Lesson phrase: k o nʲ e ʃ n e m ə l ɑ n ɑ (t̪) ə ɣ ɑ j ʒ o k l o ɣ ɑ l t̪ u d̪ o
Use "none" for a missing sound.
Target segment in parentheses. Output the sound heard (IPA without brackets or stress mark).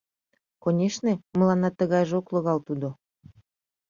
t̪